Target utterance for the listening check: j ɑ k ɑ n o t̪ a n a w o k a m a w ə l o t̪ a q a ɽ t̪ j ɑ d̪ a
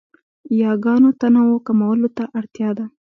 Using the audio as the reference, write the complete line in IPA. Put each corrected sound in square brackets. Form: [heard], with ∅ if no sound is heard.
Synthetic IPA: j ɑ [ɡ] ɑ n o t̪ a n a w o k a m a w ə l o t̪ a [ʔ] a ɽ t̪ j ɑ d̪ a